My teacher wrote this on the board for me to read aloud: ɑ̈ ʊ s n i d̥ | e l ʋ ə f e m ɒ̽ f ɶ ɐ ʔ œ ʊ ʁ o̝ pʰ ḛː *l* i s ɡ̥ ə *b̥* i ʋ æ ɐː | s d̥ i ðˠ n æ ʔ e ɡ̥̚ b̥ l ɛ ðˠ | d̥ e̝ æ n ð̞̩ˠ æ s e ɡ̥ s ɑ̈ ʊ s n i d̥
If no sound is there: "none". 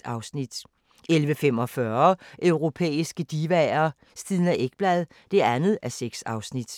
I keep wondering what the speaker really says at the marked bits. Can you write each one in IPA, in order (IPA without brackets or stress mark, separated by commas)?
none, d̥